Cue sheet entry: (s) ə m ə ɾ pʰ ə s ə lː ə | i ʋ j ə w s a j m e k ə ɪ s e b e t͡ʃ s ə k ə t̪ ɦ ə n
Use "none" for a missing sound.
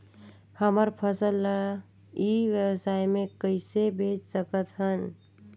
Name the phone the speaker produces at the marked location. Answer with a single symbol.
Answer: h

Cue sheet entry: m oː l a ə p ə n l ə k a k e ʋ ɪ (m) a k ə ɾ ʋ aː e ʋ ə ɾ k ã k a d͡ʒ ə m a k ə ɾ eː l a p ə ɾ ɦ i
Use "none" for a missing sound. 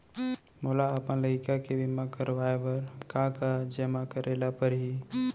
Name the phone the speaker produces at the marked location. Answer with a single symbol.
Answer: m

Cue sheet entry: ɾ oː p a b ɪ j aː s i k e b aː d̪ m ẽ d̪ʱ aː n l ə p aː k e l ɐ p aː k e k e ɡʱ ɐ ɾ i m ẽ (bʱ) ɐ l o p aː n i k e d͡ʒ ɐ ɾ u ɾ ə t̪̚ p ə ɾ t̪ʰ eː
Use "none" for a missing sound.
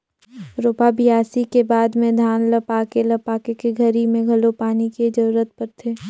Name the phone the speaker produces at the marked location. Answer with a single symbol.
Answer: ɡʱ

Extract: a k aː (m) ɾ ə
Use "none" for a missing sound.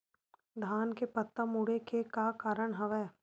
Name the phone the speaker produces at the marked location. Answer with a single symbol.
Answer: none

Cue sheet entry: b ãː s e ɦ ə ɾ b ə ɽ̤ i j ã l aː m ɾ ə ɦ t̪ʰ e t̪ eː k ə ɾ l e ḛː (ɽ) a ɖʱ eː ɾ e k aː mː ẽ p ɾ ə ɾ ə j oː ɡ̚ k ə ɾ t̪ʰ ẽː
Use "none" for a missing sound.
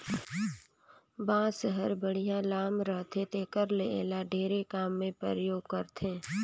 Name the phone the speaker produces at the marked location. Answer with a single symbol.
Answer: l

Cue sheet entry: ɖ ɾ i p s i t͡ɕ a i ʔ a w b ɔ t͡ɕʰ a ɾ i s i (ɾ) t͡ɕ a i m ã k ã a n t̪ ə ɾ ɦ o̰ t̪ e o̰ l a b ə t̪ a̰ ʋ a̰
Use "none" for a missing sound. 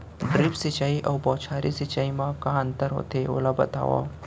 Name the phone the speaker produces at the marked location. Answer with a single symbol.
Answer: none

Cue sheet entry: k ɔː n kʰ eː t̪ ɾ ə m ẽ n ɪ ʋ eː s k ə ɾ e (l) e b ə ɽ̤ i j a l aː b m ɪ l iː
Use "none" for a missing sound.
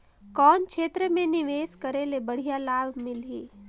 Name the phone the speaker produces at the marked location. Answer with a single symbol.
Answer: l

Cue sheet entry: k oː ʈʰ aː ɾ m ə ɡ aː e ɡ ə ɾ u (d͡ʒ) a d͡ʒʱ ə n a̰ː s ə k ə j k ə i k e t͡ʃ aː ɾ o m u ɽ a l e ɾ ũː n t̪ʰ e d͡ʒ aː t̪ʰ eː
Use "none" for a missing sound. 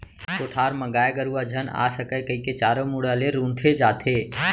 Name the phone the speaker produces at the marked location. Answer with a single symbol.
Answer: none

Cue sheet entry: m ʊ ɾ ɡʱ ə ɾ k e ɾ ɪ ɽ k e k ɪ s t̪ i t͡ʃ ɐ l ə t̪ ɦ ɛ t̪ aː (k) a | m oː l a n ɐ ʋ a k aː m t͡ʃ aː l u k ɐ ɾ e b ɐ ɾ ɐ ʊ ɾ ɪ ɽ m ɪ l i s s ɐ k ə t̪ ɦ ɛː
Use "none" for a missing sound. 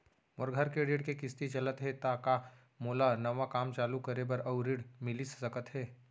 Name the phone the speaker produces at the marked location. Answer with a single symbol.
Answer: k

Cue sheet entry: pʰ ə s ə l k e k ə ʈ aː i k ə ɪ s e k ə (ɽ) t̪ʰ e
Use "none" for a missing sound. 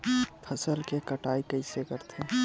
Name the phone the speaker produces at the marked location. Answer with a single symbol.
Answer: ɾ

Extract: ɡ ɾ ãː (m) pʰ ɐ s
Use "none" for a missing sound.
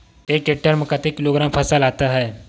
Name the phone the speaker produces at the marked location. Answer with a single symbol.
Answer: m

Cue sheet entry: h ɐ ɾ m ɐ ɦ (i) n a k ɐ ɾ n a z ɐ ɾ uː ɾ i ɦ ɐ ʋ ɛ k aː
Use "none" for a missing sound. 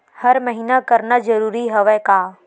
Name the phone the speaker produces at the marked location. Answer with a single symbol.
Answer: iː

